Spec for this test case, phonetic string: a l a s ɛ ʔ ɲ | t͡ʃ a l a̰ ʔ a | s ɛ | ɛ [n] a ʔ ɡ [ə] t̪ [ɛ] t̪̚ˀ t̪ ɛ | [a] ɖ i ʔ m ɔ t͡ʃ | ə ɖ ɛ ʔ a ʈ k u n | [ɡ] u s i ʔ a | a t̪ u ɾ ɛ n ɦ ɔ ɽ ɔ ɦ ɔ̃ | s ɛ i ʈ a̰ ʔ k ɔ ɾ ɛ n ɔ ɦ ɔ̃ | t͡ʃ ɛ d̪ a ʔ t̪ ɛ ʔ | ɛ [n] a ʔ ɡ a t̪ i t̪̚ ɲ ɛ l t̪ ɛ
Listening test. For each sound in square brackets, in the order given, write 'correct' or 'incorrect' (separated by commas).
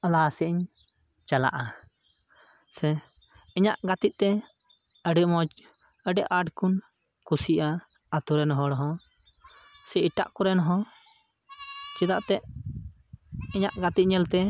incorrect, incorrect, incorrect, incorrect, incorrect, incorrect